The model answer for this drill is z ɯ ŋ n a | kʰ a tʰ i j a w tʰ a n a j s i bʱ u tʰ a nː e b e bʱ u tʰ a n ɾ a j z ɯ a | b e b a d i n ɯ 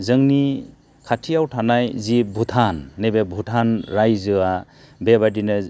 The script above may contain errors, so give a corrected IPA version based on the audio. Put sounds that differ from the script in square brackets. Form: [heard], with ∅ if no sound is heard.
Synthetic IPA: z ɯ ŋ n [i] | kʰ a tʰ i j a w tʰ a n a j [z] i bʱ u tʰ a nː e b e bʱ u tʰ a n ɾ a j z ɯ a | b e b a d i n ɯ